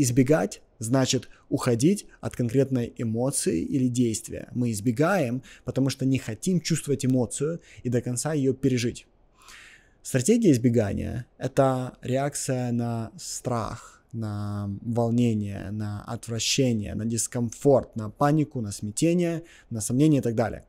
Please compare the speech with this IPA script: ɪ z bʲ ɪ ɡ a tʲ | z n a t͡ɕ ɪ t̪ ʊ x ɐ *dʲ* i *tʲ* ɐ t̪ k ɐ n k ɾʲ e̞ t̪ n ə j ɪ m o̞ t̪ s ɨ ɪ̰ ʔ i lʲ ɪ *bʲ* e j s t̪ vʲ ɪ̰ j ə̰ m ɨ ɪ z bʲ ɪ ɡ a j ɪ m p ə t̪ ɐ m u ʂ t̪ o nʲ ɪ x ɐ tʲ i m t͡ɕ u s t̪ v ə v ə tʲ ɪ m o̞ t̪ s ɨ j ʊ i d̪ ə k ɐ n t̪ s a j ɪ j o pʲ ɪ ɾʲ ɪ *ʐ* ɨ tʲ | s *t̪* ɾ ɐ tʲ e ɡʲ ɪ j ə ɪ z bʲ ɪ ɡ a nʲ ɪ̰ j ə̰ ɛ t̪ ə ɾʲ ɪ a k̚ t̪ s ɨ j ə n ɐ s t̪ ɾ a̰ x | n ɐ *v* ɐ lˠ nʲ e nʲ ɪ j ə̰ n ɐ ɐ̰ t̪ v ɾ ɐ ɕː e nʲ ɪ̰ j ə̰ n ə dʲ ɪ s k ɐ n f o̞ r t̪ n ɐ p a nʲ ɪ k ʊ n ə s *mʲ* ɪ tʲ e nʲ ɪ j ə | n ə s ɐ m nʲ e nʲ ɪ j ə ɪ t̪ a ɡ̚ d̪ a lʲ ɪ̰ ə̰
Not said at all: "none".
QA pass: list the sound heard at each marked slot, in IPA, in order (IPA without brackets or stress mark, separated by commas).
dʲ, tʲ, dʲ, ʐ, t̪, v, mʲ